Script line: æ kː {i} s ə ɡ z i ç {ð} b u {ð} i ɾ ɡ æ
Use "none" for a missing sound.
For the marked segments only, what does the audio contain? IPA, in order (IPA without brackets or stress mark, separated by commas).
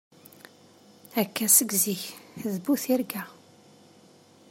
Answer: æ, ð, θ